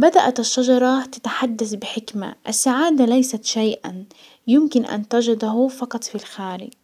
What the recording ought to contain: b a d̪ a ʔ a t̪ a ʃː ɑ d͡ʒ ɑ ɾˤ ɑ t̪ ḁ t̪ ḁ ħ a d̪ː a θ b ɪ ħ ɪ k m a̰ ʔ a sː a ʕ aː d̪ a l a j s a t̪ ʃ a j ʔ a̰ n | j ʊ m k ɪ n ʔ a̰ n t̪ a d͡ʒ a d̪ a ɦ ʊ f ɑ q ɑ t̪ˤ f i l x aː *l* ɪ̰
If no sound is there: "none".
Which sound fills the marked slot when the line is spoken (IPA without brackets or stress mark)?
ɾ